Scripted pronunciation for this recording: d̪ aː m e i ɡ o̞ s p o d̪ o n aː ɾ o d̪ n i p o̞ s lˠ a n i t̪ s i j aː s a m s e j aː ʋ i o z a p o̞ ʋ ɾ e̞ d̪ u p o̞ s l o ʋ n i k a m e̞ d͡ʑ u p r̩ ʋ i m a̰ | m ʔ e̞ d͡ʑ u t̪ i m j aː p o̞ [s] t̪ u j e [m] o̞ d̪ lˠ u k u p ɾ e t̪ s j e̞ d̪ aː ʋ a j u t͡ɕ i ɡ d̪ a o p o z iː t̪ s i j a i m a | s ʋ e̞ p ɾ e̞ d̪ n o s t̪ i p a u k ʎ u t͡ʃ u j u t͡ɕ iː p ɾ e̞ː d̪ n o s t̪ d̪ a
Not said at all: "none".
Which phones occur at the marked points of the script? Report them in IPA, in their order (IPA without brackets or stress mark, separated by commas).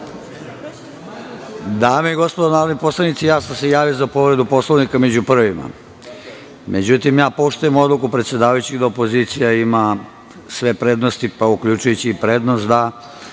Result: ʃ, m